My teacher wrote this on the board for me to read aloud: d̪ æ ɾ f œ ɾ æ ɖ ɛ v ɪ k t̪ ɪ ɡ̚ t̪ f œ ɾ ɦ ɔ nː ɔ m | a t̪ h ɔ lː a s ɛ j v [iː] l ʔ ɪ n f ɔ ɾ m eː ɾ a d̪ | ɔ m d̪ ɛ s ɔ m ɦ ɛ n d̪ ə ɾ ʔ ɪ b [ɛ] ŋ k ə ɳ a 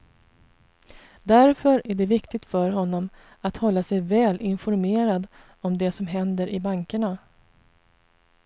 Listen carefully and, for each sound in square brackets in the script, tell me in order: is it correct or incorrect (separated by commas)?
incorrect, incorrect